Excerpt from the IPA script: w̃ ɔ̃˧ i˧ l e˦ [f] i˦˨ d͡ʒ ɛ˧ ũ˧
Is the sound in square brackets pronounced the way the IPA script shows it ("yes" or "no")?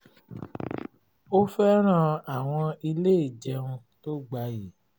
no